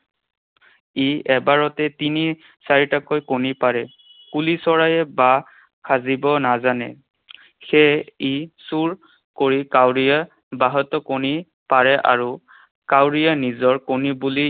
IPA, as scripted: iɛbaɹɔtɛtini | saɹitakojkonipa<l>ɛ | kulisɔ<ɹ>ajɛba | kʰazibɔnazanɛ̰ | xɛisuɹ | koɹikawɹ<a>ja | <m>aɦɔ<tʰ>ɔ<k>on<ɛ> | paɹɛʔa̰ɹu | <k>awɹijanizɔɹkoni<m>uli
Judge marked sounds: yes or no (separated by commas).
no, yes, no, no, no, yes, no, yes, no